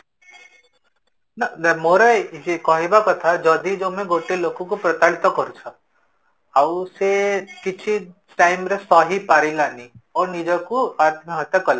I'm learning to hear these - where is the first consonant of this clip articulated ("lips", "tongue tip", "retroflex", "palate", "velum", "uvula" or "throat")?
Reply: tongue tip